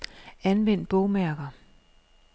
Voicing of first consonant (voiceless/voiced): voiced